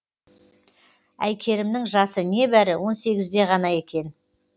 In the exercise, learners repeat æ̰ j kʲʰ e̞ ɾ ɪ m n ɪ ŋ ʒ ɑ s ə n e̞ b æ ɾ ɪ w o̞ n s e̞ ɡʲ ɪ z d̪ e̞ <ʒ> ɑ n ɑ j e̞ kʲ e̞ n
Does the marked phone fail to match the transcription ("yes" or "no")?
yes